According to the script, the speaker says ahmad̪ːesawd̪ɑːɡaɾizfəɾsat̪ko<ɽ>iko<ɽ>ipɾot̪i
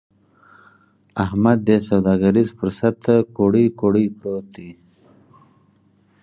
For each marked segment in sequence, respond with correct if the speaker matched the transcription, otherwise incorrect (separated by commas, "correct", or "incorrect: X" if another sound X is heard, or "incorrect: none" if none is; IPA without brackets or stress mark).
correct, correct